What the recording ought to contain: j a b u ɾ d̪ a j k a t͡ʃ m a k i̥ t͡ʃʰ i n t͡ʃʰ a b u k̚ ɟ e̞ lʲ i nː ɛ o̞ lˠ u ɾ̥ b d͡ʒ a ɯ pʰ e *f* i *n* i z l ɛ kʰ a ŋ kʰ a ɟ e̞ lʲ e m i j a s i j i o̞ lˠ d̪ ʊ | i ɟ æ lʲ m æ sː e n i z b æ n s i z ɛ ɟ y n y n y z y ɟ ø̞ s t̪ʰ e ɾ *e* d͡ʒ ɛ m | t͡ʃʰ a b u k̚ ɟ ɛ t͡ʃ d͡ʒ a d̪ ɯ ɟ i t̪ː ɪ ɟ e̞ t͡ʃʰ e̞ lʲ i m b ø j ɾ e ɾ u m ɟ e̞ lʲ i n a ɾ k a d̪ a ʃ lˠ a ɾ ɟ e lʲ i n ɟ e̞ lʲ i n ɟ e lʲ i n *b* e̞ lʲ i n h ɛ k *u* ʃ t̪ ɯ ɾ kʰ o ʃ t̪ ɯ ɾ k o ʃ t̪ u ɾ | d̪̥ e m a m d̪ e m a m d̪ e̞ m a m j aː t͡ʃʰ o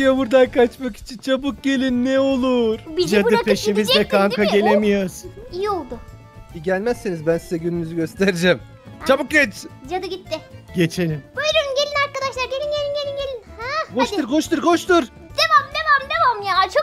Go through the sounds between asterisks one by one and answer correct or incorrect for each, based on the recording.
incorrect, incorrect, incorrect, incorrect, incorrect

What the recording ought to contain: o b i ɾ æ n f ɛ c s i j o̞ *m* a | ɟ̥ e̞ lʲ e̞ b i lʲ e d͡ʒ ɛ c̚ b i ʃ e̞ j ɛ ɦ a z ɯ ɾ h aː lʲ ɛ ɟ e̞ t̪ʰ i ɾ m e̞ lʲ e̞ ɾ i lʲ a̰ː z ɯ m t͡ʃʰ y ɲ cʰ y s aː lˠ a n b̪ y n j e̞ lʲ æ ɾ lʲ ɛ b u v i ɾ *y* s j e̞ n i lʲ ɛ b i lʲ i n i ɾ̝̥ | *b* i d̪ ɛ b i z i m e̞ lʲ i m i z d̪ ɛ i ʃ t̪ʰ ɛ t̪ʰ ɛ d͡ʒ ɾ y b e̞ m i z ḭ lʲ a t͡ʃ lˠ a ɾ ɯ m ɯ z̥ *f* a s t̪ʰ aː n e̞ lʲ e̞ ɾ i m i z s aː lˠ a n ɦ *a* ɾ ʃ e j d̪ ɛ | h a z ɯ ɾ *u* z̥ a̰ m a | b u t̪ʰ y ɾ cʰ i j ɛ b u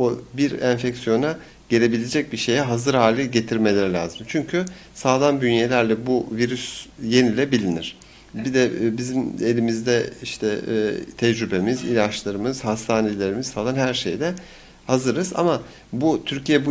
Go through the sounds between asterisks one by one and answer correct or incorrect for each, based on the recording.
incorrect, correct, correct, incorrect, incorrect, incorrect

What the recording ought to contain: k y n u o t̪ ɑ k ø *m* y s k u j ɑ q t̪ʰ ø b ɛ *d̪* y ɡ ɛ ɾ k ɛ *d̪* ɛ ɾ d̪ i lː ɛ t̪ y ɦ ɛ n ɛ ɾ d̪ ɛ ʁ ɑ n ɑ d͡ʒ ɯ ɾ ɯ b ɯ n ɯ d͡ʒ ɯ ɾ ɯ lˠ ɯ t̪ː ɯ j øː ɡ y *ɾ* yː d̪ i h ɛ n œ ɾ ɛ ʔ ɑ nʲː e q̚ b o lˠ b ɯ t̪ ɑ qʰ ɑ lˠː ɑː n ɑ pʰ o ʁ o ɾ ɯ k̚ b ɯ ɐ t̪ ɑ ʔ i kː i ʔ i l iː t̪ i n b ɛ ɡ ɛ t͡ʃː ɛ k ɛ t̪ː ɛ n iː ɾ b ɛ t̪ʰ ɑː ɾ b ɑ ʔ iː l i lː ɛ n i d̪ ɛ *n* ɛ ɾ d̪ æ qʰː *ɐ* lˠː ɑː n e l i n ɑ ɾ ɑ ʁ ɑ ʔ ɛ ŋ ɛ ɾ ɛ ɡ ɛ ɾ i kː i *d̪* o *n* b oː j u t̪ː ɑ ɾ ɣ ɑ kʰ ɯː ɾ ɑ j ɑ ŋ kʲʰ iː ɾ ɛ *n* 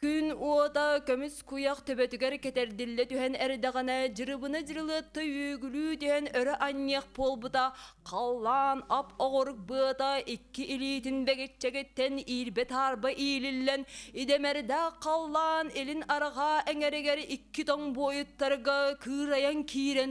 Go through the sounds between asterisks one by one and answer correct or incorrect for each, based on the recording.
correct, incorrect, incorrect, incorrect, incorrect, incorrect, incorrect, incorrect, correct

